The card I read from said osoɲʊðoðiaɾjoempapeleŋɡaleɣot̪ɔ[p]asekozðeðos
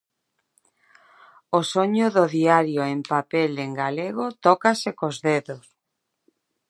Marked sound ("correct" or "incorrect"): incorrect